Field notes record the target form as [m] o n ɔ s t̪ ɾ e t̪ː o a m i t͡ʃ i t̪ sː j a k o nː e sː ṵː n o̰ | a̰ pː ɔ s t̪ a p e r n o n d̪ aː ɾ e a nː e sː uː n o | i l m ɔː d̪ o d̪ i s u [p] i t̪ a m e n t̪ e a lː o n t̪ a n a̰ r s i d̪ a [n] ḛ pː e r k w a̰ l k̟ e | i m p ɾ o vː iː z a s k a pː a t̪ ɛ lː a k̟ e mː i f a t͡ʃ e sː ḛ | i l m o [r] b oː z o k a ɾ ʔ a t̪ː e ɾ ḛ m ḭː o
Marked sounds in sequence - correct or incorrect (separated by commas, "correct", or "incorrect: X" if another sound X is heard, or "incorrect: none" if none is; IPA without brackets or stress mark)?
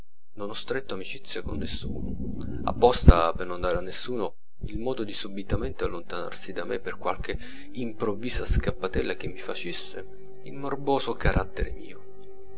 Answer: incorrect: n, incorrect: b, incorrect: m, correct